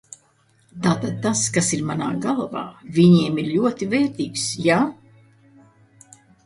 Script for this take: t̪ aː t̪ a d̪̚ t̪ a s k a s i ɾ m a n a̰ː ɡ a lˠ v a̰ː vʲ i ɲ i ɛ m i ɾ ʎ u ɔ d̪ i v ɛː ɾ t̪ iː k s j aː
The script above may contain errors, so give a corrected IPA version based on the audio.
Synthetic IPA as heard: t̪ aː t̪ a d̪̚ t̪ a s k a s i ɾ m a n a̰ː ɡ a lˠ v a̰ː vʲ i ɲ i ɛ m i ɾ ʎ u ɔ t̪ i v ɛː ɾ t̪ iː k s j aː